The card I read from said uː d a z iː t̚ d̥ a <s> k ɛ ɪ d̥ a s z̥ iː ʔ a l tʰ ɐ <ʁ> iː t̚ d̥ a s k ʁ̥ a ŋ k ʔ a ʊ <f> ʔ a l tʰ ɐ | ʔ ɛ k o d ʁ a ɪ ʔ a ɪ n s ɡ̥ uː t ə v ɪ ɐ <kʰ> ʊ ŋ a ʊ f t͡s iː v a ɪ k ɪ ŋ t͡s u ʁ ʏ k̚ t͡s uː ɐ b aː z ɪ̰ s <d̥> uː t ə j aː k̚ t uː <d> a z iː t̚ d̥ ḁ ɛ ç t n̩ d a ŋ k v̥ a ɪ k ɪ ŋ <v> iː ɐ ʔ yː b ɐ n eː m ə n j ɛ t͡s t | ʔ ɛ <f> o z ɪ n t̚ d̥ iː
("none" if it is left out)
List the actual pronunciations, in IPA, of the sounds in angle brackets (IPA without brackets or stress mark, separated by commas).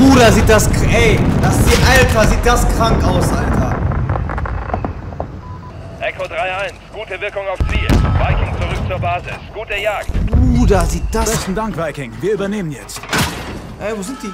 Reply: s, z, s, k, ɡ̥, d, v, v